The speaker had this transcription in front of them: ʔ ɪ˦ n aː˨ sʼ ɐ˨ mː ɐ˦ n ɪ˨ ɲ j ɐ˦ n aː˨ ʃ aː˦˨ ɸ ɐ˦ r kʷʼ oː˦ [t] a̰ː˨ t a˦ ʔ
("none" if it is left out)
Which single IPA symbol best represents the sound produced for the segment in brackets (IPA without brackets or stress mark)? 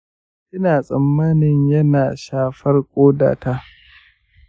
d